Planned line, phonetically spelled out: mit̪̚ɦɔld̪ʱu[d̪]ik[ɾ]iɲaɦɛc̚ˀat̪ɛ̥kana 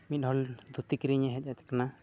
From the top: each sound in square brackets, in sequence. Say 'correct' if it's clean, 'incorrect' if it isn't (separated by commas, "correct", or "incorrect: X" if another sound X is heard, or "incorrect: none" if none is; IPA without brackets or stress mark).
incorrect: t̪, correct